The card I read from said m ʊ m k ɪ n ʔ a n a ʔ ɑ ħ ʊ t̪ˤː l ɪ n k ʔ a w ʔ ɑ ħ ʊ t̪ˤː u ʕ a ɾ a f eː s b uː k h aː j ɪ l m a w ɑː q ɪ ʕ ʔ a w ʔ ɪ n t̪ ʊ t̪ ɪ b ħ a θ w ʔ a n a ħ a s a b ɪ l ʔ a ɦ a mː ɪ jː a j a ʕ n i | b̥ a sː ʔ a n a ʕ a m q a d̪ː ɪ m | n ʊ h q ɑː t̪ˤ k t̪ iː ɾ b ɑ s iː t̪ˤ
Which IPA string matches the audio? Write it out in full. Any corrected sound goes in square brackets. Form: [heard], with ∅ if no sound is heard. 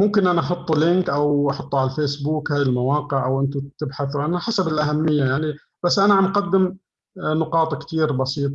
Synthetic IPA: m ʊ m k ɪ n ʔ a n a ʔ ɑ ħ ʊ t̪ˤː l ɪ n k ʔ a w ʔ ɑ ħ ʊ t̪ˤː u ʕ a [l] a f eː s b uː k h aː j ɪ l m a w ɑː q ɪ ʕ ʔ a w ʔ ɪ n t̪ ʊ t̪ ɪ b ħ a θ w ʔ a n a ħ a s a b ɪ l ʔ a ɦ a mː ɪ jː a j a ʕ n i | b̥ a sː ʔ a n a ʕ a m q a d̪ː ɪ m | n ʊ [∅] q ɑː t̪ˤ k t̪ iː ɾ b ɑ s iː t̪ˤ

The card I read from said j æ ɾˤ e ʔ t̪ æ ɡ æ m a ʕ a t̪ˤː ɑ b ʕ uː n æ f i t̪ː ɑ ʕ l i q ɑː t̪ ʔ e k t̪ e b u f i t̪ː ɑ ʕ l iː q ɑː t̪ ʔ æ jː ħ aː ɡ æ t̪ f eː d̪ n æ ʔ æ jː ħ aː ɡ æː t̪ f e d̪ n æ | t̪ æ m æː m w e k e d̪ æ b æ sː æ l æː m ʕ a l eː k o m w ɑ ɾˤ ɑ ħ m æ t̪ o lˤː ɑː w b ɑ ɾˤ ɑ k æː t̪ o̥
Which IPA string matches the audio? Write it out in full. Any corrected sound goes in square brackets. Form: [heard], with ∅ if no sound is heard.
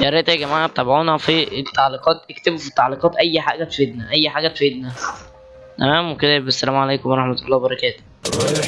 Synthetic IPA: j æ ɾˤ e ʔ t̪ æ ɡ æ m a ʕ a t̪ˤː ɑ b ʕ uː n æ f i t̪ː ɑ ʕ l i q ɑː t̪ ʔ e k t̪ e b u f i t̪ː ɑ ʕ l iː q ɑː t̪ ʔ æ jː ħ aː ɡ æ t̪ f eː d̪ n æ ʔ æ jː ħ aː ɡ [æ] t̪ f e d̪ n æ | t̪ æ m æː m w e k e d̪ æ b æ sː æ l æː m ʕ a l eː k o m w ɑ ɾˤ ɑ ħ m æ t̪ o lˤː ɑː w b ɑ ɾˤ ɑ k æː t̪ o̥

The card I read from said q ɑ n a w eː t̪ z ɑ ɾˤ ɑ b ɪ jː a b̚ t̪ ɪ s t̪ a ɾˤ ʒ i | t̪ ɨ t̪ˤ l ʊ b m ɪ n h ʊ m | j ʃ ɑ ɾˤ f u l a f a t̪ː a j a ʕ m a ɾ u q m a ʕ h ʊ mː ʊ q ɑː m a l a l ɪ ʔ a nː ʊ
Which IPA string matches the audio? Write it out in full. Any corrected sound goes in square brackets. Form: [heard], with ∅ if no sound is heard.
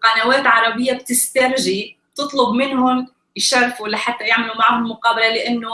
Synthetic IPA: q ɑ n a w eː t̪ [ʕ] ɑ ɾˤ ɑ b ɪ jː a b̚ t̪ ɪ s t̪ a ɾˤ ʒ i | t̪ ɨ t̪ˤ l ʊ b m ɪ n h ʊ m | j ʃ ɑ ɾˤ f u l a [ħ] a t̪ː a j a ʕ m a [l] u [∅] m a ʕ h ʊ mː ʊ q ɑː [b] a l a l ɪ ʔ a nː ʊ

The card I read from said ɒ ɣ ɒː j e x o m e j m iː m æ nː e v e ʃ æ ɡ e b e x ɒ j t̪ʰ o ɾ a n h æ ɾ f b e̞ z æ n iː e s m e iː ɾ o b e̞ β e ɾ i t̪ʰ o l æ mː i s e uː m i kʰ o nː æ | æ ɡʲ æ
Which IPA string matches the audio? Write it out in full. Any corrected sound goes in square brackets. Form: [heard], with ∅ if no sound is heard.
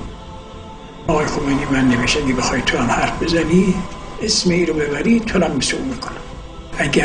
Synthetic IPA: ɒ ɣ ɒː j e x o m e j [n] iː m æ nː e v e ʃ æ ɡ e b e x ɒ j t̪ʰ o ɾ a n h æ ɾ f b e̞ z æ n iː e s m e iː ɾ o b e̞ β [æ] ɾ i t̪ʰ o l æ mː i s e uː m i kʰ o [n] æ | æ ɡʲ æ

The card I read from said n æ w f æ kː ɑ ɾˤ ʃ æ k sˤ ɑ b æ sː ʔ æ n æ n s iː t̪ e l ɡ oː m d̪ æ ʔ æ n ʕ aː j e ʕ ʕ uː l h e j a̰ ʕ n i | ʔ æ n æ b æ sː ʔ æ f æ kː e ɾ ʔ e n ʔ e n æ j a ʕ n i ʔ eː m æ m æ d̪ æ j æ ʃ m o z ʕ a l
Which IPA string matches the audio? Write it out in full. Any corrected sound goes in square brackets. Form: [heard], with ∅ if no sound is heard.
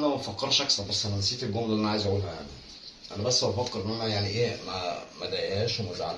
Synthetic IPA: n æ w f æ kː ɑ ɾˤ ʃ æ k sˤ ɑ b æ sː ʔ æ n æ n s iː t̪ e l ɡ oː m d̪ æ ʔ æ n ʕ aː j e [z] ʕ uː l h [æ] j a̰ ʕ n i | ʔ æ n æ b æ sː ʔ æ f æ kː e ɾ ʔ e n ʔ [æ] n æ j a ʕ n i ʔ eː m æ m æ d̪ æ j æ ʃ m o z ʕ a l

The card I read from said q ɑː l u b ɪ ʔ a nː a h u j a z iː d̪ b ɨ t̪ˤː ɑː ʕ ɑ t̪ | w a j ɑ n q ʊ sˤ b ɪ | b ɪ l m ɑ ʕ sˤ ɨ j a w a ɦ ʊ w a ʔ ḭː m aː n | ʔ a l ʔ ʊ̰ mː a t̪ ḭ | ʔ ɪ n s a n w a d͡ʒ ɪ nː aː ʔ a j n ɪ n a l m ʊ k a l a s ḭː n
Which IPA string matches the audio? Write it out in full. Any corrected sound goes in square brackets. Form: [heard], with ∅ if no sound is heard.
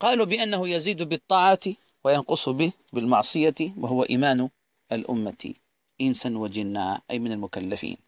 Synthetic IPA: q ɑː l u b ɪ ʔ a nː a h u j a z iː d̪ b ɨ t̪ˤː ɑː ʕ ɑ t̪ | w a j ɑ n q ʊ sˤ b ɪ | b ɪ l m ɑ ʕ sˤ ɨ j a w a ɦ ʊ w a ʔ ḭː m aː n | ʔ a l ʔ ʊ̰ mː a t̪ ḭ | ʔ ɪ n s a n w a d͡ʒ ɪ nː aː ʔ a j [m] ɪ n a l m ʊ k a [lː] a [f] ḭː n

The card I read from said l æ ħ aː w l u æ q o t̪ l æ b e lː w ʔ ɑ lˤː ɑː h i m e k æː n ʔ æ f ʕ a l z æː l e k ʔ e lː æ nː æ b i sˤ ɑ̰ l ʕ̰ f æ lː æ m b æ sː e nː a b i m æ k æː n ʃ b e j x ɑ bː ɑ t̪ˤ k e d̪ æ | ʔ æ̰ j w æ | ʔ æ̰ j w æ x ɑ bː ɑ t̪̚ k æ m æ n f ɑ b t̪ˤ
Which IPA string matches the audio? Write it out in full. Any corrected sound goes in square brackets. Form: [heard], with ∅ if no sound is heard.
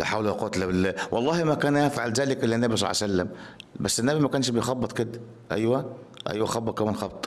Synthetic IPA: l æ ħ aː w l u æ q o t̪ l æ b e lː w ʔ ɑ lˤː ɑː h i m [æ] k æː n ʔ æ f ʕ a l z æː l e k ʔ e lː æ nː æ b i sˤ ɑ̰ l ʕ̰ [s] æ lː æ m b æ sː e nː [æ] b i m æ k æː n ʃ b e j x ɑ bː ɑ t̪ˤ k e d̪ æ | ʔ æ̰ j w æ | ʔ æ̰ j w æ x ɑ bː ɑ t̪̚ k æ m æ n [x] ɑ b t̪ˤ

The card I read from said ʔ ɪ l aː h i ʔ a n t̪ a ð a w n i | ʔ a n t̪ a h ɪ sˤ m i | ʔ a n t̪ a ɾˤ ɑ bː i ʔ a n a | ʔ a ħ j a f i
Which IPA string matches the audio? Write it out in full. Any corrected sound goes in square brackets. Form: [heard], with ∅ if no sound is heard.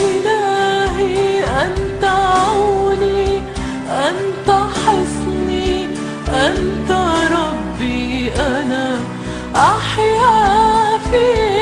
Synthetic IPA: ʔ ɪ l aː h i ʔ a n t̪ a [ʕ] a w n i | ʔ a n t̪ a [ħ] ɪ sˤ [n] i | ʔ a n t̪ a ɾˤ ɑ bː i ʔ a n a | ʔ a ħ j a f i

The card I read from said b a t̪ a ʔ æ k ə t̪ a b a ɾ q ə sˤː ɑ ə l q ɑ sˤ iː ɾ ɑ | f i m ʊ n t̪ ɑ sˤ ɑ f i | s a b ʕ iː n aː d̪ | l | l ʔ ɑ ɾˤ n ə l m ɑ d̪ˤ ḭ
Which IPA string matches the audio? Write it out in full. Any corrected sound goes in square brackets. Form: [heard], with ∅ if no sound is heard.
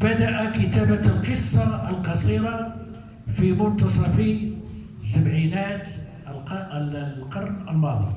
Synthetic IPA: b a [d̪] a ʔ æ k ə t̪ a b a [l] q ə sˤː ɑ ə l q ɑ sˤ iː ɾ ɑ | f i m ʊ n t̪ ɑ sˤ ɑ f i | s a b ʕ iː n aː [t̪] | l | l [q] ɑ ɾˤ n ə l m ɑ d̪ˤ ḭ

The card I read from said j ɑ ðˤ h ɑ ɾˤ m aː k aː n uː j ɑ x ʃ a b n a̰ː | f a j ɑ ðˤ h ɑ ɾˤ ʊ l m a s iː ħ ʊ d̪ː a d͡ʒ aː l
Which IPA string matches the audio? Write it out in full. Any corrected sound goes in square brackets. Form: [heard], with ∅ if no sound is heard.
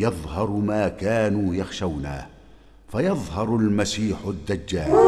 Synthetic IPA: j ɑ ðˤ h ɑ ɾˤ m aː k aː n uː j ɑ x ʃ a [w] n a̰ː | f a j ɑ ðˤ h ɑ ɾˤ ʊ l m a s iː ħ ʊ d̪ː a [d͡ʒː] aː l

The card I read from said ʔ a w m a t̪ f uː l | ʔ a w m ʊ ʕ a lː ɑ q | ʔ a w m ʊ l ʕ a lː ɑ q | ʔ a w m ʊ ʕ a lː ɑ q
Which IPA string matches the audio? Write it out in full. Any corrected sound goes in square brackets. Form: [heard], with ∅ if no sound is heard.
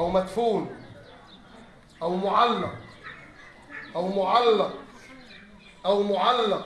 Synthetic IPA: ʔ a w m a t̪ f uː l | ʔ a w m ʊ ʕ a lː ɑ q | ʔ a w m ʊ [∅] ʕ a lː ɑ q | ʔ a w m ʊ ʕ a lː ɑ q

